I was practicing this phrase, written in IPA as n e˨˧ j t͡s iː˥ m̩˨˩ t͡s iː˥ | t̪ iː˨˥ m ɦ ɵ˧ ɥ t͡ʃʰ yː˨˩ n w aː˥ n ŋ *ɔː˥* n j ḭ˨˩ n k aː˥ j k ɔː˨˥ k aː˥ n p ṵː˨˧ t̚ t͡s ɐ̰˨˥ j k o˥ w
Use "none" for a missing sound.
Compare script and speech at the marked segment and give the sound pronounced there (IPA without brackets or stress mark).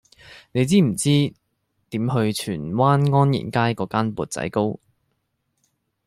ɔː˥